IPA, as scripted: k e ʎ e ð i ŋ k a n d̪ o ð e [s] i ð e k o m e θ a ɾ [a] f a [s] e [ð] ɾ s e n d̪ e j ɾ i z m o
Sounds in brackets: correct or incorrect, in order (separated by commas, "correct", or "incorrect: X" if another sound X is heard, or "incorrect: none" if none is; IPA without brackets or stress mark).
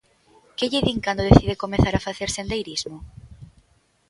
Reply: incorrect: θ, correct, incorrect: θ, incorrect: none